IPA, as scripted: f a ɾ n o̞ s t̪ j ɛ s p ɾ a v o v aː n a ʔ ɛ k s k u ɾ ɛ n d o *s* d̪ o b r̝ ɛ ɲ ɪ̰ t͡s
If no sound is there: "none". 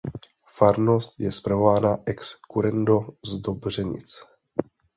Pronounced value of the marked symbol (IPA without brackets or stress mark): z